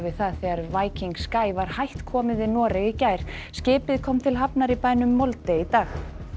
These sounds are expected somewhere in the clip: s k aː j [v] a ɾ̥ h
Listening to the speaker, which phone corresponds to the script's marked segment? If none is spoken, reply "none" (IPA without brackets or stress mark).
v